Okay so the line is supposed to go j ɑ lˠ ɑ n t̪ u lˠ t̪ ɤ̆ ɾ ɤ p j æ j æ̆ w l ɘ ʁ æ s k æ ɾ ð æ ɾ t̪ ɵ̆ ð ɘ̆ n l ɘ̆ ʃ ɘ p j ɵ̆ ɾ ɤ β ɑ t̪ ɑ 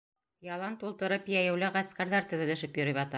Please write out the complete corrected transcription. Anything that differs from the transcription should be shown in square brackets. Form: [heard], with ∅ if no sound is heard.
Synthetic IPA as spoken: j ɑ lˠ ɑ n t̪ u lˠ t̪ ɤ̆ ɾ ɤ p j æ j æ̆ w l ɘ ʁ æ s k æ ɾ ð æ ɾ t̪ ɵ̆ ð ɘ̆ [∅] l ɘ̆ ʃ ɘ p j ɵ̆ ɾ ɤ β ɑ t̪ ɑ